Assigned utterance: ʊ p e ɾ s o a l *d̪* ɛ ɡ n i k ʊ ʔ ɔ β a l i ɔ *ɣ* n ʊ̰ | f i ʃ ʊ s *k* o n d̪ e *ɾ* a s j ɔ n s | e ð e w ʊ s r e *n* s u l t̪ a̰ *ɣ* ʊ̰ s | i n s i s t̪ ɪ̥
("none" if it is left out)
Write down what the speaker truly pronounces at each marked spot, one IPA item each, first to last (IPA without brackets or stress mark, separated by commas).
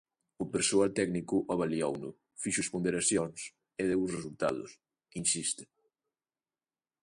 t̪, w, p, ɾ, none, ð